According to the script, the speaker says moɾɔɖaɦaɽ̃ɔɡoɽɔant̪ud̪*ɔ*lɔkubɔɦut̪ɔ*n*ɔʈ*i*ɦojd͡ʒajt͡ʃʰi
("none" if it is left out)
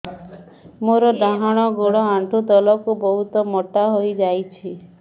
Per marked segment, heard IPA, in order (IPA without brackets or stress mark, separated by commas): ɔ, m, a